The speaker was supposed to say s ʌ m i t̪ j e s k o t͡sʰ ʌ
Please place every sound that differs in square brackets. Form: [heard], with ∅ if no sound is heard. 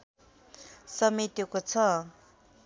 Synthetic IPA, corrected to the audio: s ʌ m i t̪ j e [∅] k o t͡sʰ ʌ